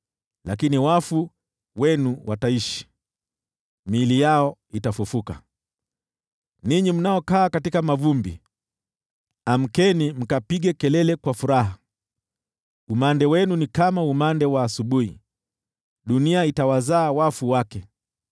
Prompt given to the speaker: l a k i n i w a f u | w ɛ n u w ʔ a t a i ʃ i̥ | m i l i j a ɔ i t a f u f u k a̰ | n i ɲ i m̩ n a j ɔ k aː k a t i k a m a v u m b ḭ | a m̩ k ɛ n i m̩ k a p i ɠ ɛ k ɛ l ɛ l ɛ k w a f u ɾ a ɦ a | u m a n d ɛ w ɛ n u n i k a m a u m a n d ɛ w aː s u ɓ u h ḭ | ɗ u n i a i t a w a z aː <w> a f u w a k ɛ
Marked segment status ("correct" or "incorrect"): correct